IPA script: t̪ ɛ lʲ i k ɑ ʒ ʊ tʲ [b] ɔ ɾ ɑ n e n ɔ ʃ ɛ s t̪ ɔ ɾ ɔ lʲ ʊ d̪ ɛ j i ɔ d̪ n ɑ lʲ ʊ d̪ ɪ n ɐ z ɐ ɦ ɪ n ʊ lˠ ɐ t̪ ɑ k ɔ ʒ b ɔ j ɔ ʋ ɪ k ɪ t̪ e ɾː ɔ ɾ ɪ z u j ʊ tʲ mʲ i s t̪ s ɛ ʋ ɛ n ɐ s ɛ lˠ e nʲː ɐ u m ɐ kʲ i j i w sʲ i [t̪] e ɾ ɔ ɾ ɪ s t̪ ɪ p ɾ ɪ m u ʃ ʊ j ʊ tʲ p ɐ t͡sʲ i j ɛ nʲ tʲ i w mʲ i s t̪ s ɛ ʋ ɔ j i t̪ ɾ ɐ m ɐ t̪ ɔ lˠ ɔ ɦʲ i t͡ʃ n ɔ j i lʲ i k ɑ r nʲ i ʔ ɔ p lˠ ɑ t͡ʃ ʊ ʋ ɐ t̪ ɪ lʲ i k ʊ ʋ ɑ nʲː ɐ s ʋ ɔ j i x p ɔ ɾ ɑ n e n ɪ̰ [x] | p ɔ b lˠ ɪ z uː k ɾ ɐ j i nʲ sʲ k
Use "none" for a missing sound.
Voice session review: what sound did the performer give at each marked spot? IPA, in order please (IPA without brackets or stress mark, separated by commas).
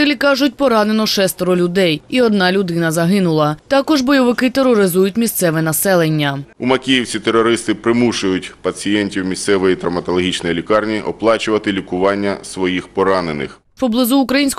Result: p, t̪, x